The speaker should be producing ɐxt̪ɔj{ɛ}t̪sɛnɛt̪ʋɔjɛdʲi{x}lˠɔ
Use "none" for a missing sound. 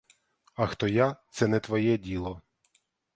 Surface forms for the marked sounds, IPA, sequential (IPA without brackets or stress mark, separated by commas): a, none